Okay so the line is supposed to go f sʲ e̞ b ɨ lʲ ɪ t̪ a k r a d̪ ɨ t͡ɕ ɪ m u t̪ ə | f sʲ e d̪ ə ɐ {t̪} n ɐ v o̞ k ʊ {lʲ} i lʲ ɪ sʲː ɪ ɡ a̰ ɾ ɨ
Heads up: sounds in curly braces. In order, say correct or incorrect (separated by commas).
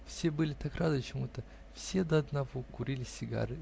incorrect, incorrect